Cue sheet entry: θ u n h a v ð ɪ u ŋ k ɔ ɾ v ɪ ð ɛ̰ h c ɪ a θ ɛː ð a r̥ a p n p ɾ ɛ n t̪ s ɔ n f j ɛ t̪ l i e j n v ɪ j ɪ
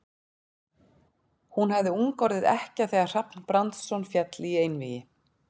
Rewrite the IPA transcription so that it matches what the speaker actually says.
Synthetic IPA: h u n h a v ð ɪ u ŋ k ɔ ɾ ð ɪ ð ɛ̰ h c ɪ a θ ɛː ɣ a r̥ a p n p ɾ a n t̪ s ɔ n f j ɛ t̪ l i e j n v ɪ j ɪ